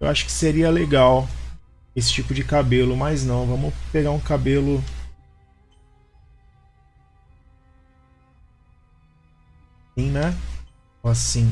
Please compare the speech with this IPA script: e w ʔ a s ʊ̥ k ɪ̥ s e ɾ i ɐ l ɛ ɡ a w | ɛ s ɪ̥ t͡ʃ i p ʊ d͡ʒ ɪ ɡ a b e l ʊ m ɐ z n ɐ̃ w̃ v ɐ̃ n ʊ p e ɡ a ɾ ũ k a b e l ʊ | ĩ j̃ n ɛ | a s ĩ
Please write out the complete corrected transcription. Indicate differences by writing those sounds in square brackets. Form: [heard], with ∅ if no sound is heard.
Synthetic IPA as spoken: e w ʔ a [ʃ] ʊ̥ k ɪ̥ s e ɾ i ɐ l [e] ɡ a w | [e] s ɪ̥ t͡ʃ i p ʊ d͡ʒ ɪ [k] a b e l ʊ m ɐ z n ɐ̃ w̃ v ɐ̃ [m] ʊ p e ɡ a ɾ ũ k a b e l ʊ | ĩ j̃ n ɛ | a s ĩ